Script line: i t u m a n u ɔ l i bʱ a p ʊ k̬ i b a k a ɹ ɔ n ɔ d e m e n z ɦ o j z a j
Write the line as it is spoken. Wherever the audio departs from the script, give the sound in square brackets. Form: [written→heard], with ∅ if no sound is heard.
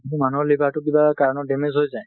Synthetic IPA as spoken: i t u m a n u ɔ l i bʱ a [p→t] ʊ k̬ i b a k a ɹ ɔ n ɔ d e m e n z ɦ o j z a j

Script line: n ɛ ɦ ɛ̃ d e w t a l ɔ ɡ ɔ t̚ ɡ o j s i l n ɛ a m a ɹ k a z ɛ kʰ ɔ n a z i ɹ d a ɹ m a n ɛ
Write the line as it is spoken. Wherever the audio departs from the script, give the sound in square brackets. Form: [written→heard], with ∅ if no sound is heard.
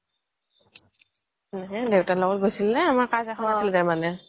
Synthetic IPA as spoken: n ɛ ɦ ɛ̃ d e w t a l ɔ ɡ ɔ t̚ ɡ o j s i l n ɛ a m a ɹ k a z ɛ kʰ ɔ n a [z→s] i [ɹ→l] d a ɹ m a n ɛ

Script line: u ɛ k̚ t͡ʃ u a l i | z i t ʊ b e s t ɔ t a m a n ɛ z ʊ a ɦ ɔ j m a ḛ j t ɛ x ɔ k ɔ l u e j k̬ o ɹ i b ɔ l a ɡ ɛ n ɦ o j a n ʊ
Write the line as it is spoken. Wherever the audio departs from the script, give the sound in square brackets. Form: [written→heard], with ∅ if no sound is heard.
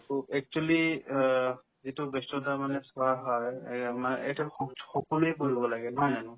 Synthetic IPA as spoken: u ɛ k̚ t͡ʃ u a l i | z i t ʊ b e s t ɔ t a m a n ɛ [z→s] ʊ a ɦ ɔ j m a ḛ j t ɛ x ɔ k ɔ l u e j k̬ o ɹ i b ɔ l a ɡ ɛ n ɦ [o→ɔ] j a n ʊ

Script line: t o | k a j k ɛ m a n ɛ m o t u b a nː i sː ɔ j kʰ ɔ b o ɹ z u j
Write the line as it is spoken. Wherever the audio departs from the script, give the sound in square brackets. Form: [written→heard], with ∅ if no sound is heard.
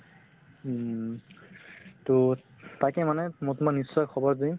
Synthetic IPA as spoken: t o | [k→t] a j k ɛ m a n ɛ m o t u [b→m] a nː i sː ɔ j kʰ ɔ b [o→ɔ] ɹ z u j

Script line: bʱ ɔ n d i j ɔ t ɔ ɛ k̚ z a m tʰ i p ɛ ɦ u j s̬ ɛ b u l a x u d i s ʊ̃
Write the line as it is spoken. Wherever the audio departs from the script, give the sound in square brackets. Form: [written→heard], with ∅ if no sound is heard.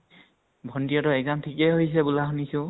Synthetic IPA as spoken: bʱ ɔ n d i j ɔ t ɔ ɛ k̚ z a m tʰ i [p→k] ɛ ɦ [u→o] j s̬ ɛ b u l a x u [d→n] i s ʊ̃

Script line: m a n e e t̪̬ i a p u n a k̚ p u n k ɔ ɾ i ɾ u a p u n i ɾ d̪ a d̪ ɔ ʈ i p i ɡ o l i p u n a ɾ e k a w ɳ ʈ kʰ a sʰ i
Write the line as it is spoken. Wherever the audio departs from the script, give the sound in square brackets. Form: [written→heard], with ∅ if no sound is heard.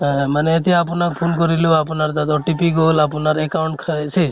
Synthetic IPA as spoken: m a n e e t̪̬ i a p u n a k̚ [p→pʰ] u n k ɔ ɾ i [ɾ→l] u a p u n [i→a] ɾ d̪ a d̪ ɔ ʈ i p i ɡ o l [i→a] p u n a ɾ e k a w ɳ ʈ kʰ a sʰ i

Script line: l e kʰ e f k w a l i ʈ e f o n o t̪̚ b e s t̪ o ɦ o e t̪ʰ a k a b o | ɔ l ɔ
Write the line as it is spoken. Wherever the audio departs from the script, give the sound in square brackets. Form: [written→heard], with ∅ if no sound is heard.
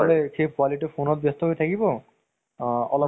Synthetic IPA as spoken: l e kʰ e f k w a l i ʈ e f o n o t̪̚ b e s t̪ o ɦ o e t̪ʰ a k [a→i] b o | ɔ l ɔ

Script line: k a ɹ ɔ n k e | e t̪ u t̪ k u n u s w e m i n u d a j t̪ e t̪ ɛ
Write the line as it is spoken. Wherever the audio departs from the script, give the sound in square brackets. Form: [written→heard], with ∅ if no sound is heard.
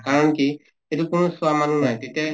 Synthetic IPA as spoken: k a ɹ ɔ n k [e→i] | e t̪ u [t̪→∅] k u n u s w [e→a] m [i→a] n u [d→n] a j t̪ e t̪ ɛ

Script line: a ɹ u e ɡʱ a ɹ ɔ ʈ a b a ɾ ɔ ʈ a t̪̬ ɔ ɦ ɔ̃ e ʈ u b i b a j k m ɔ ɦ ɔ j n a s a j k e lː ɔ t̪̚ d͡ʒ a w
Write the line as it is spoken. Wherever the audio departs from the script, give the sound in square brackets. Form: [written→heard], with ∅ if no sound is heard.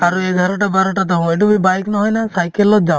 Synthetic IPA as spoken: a [ɹ→ɾ] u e ɡʱ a [ɹ→ɾ] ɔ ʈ a b a ɾ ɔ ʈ a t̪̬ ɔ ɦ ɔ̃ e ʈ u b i b a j k [m→n] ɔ ɦ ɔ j n a s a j k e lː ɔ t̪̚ d͡ʒ a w

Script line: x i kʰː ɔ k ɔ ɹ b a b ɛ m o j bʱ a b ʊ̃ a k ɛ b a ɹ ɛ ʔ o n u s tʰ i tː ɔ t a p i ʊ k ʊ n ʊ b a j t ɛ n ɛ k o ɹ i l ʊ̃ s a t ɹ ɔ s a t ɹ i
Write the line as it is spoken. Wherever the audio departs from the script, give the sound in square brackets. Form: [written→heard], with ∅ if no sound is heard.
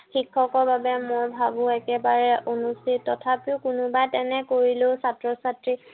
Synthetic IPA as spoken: x i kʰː ɔ k ɔ ɹ b a b ɛ m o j bʱ a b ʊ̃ [a→ɛ] k ɛ b a ɹ ɛ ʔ o n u s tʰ i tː ɔ [t→tʰ] a p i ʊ k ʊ n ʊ b a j t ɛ n ɛ k o ɹ i l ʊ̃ s a t ɹ ɔ s a t ɹ i

